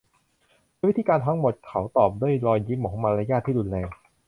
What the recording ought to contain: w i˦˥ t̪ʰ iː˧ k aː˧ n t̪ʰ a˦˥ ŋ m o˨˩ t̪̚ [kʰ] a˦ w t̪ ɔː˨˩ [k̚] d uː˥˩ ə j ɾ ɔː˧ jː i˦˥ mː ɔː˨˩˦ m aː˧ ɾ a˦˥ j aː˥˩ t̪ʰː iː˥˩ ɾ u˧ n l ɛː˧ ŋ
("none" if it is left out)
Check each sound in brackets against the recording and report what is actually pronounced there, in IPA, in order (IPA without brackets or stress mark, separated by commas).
kʰ, p̚